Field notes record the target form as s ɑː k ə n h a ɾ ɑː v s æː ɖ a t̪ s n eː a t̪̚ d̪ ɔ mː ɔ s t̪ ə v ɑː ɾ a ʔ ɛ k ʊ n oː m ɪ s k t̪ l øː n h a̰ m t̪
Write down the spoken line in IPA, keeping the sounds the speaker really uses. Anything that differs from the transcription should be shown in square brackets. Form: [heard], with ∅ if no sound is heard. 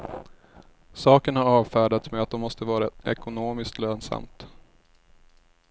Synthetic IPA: s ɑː k ə n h a ɾ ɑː v [f] æː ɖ a t̪ s [m] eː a t̪̚ d̪ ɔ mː ɔ s t̪ ə v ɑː ɾ a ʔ ɛ k ʊ n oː m ɪ s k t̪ l øː n [s] a̰ m t̪